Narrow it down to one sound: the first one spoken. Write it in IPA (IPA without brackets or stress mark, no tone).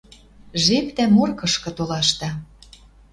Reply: ʒ